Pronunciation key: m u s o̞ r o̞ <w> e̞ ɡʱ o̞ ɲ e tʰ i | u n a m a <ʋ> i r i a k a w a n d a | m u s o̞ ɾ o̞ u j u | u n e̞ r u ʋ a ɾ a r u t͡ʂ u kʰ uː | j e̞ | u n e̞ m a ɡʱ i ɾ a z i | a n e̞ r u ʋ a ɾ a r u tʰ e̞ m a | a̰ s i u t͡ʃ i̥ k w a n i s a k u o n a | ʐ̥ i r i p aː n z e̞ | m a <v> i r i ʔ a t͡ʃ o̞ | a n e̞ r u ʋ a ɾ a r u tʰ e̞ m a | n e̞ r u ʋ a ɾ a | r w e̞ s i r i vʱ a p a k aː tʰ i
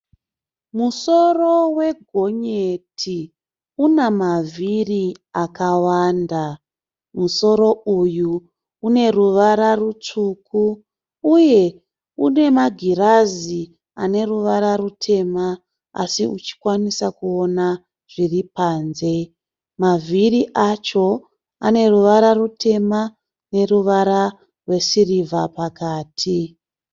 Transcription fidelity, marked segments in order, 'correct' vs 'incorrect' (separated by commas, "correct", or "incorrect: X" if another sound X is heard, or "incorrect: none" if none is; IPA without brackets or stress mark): correct, incorrect: v, correct